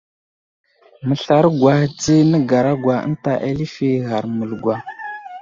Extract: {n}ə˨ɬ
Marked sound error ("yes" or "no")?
yes